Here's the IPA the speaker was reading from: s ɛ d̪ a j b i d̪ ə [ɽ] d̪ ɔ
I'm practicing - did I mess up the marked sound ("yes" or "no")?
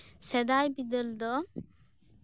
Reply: yes